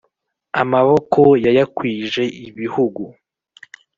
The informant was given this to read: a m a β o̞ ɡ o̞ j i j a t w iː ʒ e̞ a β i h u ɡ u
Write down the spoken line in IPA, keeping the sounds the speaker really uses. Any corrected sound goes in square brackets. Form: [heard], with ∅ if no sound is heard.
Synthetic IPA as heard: a m a β o̞ [k] o̞ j [a] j a [k] w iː ʒ e̞ [i] β i h u ɡ u